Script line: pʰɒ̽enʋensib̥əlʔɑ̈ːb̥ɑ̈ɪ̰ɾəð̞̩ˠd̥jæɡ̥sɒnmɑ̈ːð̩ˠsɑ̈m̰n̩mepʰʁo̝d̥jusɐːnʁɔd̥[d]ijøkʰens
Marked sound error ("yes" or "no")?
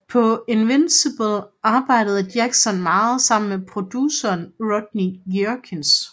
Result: yes